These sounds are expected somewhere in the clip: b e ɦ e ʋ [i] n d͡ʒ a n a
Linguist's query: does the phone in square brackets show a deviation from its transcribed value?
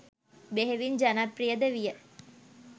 no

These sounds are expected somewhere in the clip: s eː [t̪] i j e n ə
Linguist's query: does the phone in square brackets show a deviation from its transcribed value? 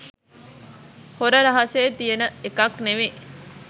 no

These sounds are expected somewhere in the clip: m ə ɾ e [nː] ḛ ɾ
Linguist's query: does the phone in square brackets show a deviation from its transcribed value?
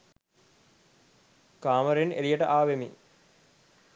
yes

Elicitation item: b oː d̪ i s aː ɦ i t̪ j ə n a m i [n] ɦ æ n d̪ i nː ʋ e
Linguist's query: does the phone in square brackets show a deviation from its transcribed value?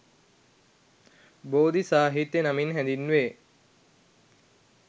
no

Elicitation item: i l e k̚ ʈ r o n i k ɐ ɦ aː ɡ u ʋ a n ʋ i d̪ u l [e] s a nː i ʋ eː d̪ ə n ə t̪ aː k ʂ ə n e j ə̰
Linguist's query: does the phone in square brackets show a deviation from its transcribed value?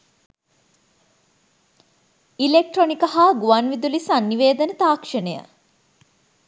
yes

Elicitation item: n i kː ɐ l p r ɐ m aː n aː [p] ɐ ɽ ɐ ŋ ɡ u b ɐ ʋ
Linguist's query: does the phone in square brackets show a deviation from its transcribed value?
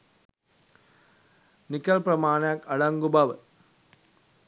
yes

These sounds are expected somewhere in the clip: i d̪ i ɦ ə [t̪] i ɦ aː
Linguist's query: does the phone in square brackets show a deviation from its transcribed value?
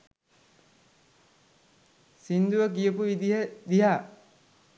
yes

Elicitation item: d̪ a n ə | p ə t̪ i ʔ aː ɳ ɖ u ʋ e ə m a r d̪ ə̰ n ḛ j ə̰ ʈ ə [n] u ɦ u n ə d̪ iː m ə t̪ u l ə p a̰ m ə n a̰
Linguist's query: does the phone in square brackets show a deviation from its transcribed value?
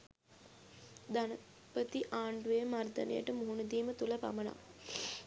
yes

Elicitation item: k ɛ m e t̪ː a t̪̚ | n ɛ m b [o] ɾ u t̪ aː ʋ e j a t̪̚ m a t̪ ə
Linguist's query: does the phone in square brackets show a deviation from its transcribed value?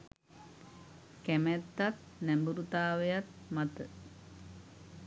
yes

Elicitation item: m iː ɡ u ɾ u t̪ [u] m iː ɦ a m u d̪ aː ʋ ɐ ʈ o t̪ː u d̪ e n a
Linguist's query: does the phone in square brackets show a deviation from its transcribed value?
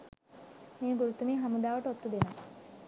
no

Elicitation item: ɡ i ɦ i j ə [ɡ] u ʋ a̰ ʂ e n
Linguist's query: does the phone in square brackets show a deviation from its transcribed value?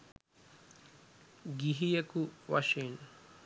yes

